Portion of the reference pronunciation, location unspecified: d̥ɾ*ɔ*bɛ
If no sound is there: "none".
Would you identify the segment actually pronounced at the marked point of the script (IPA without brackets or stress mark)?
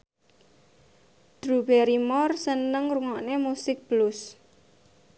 u